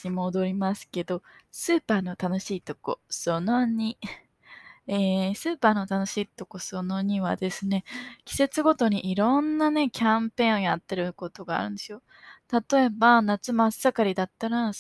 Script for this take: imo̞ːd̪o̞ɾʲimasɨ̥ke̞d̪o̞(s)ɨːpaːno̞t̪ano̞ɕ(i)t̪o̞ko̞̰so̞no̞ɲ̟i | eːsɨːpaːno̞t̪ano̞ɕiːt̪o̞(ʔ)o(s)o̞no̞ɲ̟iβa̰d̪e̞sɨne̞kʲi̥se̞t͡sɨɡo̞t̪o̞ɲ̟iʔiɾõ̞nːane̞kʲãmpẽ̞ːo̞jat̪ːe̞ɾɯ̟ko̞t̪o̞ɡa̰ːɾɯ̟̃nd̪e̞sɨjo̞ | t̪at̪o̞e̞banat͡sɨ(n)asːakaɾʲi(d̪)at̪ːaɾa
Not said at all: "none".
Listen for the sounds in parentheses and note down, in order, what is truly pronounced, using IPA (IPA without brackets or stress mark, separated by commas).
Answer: s, iː, k, s, m, d̪